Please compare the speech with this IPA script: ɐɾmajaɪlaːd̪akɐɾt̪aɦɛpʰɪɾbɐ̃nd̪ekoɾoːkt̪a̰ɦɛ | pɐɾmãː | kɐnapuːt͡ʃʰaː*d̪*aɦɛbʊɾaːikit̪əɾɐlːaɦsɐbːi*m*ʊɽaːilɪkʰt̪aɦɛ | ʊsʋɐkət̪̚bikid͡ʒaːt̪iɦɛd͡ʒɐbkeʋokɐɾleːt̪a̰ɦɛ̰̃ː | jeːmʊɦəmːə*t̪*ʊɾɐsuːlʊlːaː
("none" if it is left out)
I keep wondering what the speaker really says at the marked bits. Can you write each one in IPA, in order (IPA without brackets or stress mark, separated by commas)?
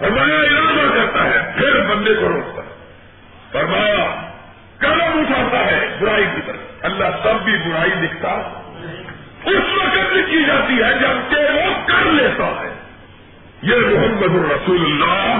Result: t̪, b, d̪